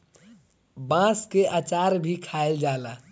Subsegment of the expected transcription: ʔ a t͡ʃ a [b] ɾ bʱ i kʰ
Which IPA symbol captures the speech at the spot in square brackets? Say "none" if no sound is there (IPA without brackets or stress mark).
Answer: none